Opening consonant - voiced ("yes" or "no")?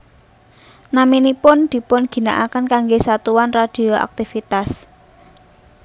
yes